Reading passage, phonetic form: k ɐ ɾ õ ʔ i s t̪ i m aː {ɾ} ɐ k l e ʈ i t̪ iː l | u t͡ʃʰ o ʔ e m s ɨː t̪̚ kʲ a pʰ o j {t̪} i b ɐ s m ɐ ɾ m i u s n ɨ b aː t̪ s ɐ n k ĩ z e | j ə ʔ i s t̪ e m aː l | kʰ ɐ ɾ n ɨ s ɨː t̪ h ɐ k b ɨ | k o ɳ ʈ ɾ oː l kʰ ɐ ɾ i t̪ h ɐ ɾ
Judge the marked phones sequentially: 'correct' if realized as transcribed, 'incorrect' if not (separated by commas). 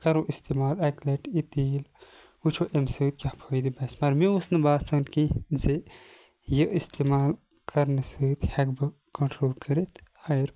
incorrect, incorrect